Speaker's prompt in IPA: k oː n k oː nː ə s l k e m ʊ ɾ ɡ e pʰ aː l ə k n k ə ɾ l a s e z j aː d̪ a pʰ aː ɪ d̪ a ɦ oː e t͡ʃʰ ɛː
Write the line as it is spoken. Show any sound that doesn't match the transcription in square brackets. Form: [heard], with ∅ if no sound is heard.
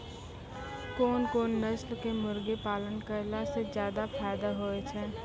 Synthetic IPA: k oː n k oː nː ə s l k e m ʊ ɾ ɡ e [p] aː l ə [∅] n k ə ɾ l a s e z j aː d̪ a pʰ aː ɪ d̪ a ɦ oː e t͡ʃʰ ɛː